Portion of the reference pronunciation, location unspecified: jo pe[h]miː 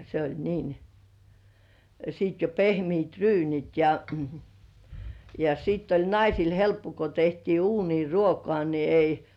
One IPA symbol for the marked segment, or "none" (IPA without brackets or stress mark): h